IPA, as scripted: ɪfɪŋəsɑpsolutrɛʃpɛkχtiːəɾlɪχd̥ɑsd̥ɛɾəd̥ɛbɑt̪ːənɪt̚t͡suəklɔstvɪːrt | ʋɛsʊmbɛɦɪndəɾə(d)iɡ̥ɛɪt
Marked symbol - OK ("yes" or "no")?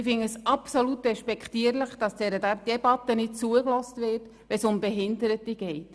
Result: no